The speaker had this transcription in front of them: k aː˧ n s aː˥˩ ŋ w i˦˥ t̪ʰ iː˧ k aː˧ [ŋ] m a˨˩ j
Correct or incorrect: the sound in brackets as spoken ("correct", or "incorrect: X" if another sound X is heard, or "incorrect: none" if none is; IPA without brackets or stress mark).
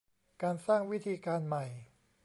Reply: incorrect: n